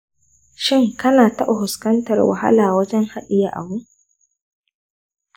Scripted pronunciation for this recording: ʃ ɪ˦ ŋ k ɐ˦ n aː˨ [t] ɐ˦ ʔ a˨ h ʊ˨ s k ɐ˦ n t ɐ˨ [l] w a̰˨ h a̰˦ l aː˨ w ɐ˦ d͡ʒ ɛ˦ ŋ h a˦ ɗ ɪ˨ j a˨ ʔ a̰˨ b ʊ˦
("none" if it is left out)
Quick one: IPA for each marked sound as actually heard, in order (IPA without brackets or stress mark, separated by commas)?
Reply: t, r